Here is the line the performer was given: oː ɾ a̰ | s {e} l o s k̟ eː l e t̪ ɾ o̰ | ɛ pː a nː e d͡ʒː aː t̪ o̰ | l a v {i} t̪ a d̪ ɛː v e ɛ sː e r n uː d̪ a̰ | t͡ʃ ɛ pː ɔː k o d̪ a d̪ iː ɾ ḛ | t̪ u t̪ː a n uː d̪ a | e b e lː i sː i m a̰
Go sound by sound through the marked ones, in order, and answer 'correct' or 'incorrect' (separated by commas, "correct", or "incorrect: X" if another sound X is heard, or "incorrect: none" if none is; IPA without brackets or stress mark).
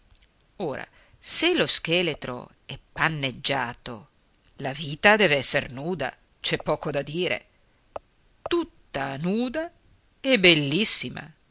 correct, incorrect: iː